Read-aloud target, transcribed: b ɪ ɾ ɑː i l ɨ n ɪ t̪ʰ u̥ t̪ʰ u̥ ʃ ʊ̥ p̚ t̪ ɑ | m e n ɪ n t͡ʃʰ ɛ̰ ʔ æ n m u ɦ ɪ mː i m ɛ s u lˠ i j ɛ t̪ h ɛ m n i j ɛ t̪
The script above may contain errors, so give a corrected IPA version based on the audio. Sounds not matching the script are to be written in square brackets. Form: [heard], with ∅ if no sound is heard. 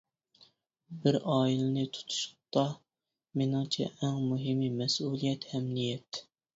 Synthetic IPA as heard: b ɪ ɾ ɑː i l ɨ n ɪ t̪ʰ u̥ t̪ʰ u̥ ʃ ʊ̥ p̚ t̪ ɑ | m e n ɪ [ŋ] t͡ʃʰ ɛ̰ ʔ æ [ŋ] m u ɦ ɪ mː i m ɛ s u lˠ i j ɛ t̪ h ɛ m n i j ɛ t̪

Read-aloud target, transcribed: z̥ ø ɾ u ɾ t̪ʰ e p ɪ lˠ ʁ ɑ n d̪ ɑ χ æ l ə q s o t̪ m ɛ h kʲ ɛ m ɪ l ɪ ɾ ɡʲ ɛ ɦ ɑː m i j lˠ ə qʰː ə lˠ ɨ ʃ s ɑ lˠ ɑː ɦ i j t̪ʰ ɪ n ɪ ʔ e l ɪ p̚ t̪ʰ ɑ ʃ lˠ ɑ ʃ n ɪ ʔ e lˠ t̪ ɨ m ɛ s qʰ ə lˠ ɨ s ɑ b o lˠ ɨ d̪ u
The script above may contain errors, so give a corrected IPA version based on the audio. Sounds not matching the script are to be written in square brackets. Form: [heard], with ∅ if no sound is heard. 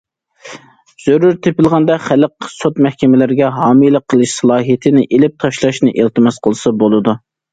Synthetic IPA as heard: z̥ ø ɾ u ɾ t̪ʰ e p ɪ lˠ ʁ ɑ n d̪ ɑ χ æ l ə q s o t̪ m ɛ h kʲ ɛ m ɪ l ɪ ɾ ɡʲ ɛ ɦ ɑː m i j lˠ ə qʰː ə lˠ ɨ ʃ s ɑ lˠ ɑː ɦ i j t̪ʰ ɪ n ɪ ʔ e l ɪ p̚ t̪ʰ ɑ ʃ lˠ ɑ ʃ n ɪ ʔ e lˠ t̪ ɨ m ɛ s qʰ ə lˠ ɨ s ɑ b o lˠ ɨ d̪ u

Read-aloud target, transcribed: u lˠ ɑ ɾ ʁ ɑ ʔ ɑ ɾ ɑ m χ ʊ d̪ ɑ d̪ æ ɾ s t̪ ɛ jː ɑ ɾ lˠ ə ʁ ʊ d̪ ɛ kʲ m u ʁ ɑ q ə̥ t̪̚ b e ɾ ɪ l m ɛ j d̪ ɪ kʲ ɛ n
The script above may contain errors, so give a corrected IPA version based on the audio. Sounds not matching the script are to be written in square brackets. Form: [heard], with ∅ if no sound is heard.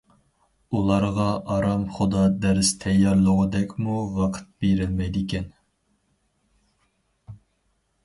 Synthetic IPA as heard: u lˠ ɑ ɾ ʁ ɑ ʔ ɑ ɾ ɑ m χ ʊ d̪ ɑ d̪ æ ɾ s [t̪ʰ] ɛ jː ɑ ɾ lˠ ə ʁ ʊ d̪ ɛ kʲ m u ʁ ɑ [qʰ] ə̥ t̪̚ b e ɾ ɪ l m ɛ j d̪ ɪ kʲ ɛ n

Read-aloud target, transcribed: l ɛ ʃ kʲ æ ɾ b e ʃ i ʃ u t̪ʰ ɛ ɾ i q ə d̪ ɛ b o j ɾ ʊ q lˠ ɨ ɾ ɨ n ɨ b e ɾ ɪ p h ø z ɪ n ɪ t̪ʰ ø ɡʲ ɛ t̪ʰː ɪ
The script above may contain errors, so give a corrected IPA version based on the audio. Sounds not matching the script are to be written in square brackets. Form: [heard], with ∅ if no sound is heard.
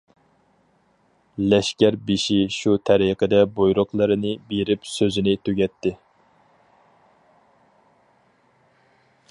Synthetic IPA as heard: l ɛ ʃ kʲ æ ɾ b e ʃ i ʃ u t̪ʰ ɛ ɾ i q ə d̪ ɛ b o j ɾ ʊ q lˠ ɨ ɾ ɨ n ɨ b e ɾ ɪ p [s] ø z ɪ n ɪ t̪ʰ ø ɡʲ ɛ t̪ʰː ɪ

